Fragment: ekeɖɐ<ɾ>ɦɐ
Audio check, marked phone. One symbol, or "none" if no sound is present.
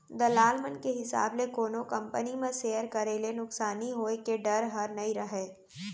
ɾ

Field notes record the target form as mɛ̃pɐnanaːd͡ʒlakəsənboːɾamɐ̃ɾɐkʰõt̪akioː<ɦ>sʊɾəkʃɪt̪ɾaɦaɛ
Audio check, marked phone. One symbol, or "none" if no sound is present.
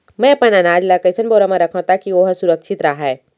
ɦ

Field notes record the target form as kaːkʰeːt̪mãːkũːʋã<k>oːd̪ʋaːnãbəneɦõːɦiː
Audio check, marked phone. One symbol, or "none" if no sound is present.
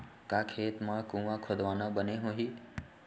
kʰ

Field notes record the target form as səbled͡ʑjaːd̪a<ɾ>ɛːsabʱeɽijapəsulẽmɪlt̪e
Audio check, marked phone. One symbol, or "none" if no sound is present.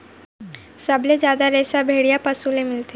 ɾ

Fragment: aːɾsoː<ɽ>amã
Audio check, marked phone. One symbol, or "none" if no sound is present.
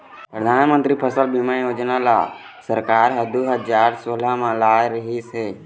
l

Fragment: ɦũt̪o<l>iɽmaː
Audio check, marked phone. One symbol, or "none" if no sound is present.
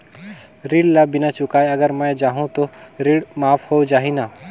ɾ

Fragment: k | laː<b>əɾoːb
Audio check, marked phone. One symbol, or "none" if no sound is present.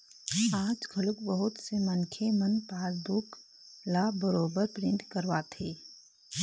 b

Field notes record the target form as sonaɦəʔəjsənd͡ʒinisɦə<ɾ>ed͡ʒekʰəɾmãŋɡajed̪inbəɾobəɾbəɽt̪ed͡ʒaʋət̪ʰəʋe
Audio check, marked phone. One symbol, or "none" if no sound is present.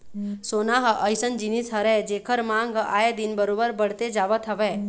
ɾ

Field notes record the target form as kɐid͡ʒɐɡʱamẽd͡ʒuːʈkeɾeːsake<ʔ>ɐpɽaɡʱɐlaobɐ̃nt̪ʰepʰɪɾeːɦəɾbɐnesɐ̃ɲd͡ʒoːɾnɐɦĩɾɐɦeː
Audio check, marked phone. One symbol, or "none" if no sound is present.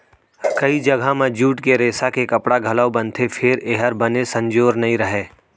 k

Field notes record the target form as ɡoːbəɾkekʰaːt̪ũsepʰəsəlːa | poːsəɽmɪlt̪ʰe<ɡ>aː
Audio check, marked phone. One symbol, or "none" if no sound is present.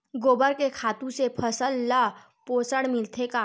k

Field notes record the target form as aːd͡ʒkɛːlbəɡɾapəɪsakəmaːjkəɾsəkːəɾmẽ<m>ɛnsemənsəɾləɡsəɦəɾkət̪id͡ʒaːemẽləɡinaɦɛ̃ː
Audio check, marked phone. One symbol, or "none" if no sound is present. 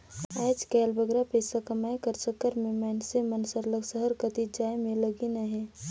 m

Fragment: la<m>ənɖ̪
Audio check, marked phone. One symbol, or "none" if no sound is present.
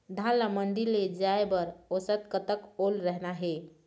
m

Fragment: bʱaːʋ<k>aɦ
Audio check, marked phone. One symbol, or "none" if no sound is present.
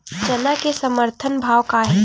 k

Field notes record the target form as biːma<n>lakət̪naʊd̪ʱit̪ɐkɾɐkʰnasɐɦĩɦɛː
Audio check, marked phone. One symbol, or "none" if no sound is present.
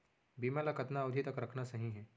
none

